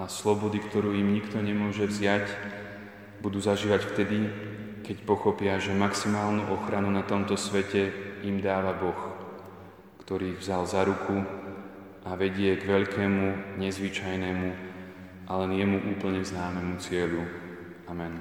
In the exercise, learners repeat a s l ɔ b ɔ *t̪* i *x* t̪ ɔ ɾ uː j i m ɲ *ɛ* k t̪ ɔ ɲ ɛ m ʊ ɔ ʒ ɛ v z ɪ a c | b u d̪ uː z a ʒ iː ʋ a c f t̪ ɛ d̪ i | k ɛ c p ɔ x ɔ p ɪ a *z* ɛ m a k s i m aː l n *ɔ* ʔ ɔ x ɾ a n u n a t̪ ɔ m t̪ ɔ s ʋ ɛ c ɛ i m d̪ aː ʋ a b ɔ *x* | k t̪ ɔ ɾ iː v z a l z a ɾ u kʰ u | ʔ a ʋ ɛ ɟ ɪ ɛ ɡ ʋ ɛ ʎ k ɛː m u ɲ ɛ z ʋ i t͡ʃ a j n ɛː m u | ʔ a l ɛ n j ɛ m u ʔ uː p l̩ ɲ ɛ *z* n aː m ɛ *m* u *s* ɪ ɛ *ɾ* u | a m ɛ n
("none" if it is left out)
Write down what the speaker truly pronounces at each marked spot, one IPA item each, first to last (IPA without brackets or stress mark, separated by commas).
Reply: d̪, k, i, ʒ, u, x, z, m, t͡s, ʎ